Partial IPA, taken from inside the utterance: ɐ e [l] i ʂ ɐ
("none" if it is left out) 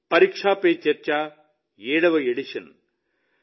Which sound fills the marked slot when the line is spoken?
ɽ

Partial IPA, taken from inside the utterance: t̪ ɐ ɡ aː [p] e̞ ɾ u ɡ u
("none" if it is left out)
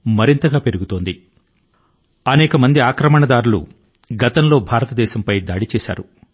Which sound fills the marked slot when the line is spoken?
p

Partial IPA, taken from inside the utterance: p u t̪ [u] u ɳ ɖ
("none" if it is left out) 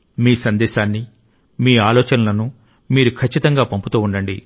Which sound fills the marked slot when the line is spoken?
uː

